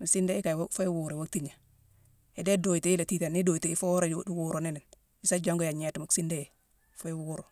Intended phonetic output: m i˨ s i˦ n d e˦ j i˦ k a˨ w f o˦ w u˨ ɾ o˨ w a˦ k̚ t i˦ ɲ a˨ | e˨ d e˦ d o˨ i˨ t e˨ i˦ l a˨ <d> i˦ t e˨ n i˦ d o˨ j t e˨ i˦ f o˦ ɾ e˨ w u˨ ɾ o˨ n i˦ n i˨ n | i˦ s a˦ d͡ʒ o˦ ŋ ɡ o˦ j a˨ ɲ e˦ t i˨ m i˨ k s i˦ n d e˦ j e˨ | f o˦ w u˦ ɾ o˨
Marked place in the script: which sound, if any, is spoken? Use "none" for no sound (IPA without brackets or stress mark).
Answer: t